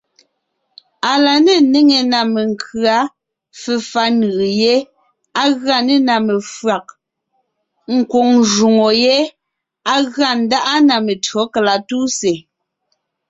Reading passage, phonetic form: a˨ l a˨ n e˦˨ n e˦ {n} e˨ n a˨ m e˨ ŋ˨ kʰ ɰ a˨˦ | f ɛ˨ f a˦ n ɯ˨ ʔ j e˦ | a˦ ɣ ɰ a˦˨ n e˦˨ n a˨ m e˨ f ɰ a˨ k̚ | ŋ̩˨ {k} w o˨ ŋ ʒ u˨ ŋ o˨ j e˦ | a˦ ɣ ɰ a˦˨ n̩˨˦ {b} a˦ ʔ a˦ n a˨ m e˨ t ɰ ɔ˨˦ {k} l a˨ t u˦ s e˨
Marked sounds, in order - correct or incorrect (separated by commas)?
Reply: incorrect, correct, incorrect, correct